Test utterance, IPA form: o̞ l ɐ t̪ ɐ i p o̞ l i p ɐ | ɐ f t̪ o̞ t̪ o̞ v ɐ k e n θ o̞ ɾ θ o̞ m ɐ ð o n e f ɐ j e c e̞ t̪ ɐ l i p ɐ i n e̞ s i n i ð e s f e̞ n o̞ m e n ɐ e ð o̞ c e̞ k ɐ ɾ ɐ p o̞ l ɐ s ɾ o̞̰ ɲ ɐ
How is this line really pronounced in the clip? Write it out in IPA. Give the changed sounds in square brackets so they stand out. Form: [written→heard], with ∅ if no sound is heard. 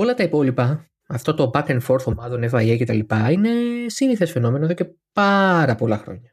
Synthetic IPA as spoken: o̞ l ɐ t̪ ɐ i p o̞ l i p ɐ | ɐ f t̪ o̞ t̪ o̞ [v→b] ɐ k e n [θ→f] o̞ ɾ θ o̞ m ɐ ð o n e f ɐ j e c e̞ t̪ ɐ l i p ɐ i n e̞ s i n i [ð→θ] e s f e̞ n o̞ m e n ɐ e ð o̞ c e̞ [k→p] ɐ ɾ ɐ p o̞ l ɐ [s→x] ɾ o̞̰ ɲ ɐ